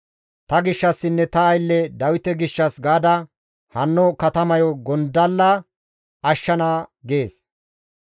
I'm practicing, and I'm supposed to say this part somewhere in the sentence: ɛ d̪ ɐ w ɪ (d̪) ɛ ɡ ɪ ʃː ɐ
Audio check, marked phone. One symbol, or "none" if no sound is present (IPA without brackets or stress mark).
t̪